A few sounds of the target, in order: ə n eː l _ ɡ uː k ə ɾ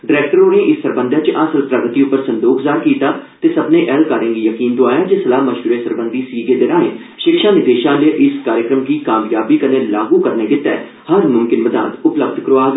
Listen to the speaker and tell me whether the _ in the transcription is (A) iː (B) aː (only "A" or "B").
B